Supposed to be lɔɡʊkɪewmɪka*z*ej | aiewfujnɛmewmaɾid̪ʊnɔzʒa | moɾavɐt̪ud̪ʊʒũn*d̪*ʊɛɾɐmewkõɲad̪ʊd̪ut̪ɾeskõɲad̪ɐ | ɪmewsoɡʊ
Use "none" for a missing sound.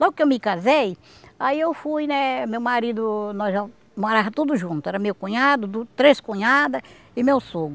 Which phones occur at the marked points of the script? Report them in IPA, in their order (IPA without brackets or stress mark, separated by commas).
z, t̪